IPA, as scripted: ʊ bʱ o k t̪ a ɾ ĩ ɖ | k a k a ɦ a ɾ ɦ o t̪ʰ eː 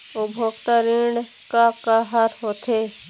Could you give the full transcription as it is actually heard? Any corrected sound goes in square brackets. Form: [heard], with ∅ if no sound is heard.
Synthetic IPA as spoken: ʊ bʱ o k t̪ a ɾ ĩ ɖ | k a k a ɦ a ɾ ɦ o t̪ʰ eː